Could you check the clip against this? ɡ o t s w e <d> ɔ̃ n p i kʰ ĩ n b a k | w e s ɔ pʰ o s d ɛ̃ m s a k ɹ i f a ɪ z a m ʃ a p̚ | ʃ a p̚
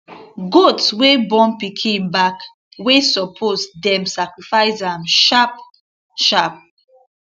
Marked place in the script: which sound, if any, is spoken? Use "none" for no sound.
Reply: b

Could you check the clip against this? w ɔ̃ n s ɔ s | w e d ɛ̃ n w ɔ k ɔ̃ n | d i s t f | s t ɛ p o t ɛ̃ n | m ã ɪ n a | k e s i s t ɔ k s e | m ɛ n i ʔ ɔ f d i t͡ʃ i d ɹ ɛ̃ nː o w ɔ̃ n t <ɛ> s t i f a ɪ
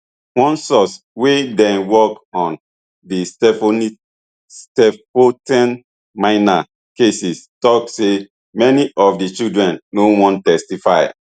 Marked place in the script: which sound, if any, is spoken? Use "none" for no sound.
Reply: ɛ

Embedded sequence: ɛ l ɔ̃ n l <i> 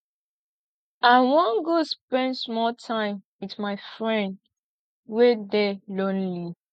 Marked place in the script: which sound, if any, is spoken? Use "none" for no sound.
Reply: i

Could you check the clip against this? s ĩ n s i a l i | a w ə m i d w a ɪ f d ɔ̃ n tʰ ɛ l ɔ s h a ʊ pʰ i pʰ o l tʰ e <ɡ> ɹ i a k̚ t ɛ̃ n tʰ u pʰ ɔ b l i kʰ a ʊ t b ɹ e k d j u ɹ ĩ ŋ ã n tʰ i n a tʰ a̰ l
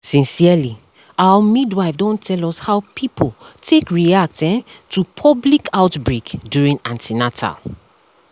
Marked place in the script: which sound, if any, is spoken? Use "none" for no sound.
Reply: k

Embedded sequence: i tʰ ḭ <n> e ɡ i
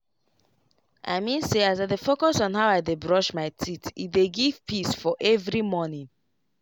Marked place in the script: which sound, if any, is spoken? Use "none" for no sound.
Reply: d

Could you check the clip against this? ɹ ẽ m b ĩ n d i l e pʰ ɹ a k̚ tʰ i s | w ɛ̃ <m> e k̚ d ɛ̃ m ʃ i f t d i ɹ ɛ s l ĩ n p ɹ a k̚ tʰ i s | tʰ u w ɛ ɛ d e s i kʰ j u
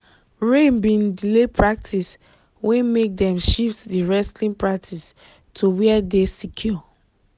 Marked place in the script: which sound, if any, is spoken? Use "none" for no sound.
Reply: m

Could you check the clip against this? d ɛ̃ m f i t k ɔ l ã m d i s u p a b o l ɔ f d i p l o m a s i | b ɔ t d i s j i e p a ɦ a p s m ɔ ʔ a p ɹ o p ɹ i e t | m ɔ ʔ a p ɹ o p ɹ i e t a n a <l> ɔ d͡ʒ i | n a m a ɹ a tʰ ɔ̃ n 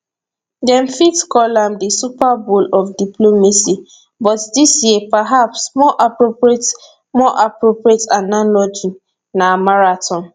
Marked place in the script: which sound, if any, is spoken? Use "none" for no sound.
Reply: l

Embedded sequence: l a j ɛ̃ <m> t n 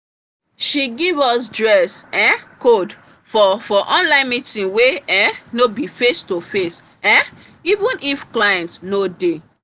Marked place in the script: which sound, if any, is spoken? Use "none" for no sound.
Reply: n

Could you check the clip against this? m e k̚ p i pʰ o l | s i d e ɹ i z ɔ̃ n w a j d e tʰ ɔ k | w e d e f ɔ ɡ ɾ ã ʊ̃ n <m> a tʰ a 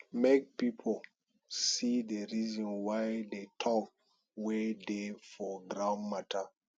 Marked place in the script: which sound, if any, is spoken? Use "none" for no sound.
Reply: m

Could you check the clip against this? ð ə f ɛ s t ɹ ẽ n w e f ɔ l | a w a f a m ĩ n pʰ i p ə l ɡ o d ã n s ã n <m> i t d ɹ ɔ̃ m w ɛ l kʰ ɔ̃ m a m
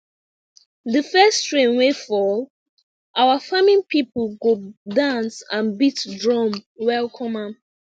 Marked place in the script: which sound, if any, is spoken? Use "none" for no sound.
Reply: b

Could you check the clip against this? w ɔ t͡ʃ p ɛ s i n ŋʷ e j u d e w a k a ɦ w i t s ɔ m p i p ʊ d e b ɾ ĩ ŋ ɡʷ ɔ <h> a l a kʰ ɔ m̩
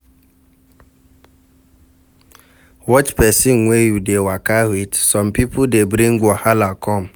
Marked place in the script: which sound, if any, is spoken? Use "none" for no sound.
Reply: h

